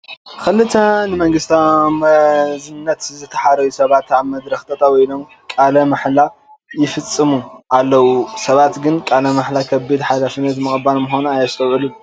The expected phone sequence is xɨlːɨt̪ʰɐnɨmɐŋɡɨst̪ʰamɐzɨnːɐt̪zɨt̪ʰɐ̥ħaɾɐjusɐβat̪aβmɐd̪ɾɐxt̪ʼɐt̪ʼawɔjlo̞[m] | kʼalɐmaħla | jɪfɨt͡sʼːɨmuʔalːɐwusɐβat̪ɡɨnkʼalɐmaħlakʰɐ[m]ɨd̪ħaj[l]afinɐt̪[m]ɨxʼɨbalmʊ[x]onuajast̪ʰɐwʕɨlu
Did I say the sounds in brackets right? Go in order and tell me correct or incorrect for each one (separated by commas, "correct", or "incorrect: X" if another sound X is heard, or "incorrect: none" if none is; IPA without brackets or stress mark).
correct, incorrect: b, correct, correct, correct